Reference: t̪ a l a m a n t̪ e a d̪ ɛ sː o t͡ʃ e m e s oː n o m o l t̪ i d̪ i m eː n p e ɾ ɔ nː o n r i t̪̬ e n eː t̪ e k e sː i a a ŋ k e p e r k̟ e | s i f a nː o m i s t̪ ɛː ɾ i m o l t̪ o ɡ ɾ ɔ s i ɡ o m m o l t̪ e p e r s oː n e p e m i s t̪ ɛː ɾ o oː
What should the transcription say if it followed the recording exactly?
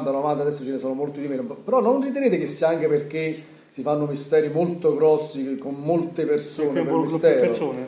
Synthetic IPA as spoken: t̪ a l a m a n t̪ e a d̪ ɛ sː o t͡ʃ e n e s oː n o m o l t̪ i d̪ i m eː n p e ɾ ɔ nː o n r i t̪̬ e n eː t̪ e k e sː i a a ŋ k e p e r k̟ e | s i f a nː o m i s t̪ ɛː ɾ i m o l t̪ o ɡ ɾ ɔ sː i k o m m o l t̪ e p e r s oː n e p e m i s t̪ ɛː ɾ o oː